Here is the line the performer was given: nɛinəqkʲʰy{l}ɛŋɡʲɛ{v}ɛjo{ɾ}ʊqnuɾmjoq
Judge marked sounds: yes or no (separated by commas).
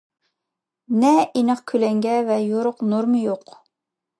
yes, yes, yes